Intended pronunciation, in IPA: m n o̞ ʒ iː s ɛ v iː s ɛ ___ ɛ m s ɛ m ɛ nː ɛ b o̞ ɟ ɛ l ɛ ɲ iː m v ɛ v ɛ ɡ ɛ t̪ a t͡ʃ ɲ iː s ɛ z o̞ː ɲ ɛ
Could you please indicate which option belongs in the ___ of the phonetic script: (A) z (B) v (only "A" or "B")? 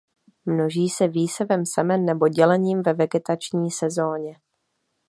B